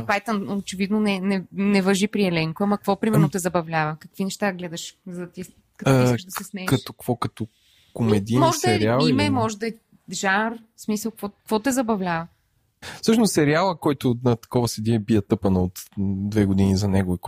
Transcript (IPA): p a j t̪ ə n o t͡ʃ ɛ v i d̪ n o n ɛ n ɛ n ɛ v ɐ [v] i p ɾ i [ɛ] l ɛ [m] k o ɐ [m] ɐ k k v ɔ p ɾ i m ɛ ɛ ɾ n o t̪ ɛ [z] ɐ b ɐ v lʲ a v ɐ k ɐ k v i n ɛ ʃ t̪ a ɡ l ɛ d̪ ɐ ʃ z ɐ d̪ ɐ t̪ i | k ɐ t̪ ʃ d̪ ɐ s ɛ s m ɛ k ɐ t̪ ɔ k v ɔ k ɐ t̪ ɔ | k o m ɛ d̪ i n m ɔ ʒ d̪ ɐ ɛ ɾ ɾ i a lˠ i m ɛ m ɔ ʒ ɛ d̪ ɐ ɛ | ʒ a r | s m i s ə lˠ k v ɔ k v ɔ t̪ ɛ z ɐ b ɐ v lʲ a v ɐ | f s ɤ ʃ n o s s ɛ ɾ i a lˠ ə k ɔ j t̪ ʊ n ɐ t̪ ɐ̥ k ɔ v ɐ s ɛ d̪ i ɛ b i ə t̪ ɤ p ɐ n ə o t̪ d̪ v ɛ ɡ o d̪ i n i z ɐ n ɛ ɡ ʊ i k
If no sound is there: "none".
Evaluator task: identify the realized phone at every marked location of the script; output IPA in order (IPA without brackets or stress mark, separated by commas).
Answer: ʒ, ɛ, ŋ, m, z